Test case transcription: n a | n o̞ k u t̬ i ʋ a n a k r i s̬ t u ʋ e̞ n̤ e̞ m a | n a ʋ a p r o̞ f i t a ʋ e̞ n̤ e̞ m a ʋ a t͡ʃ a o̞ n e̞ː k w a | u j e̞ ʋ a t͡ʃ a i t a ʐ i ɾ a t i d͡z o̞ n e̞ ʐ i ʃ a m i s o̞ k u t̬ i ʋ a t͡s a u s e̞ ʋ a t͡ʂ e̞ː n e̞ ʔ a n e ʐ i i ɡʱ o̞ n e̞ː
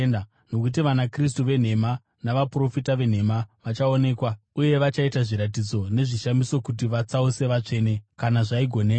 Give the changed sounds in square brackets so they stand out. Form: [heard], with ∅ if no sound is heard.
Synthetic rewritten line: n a | n o̞ k u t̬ i ʋ a n a k r i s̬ t u ʋ e̞ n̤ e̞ m a | n a ʋ a p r o̞ f i t a ʋ e̞ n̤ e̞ m a ʋ a t͡ʃ a o̞ n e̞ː k w a | u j e̞ ʋ a t͡ʃ a i t a ʐ i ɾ a t i d͡z o̞ n e̞ ʐ i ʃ a m i s o̞ k u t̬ i ʋ a t͡s a u s e̞ ʋ a t͡ʂ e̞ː n e̞ [k] a n [a] ʐ [a] i ɡʱ o̞ n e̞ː